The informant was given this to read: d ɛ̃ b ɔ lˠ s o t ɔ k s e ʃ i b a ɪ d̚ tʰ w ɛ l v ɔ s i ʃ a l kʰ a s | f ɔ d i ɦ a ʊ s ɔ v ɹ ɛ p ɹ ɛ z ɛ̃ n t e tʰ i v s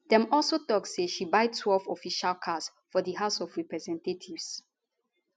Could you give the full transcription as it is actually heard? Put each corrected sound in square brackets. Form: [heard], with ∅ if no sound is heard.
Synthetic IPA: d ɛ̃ [m] ɔ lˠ s o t ɔ k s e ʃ i b a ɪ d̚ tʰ w ɛ l v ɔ [f] i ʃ a l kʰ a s | f ɔ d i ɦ a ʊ s ɔ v ɹ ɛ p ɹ ɛ z ɛ̃ n t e tʰ i v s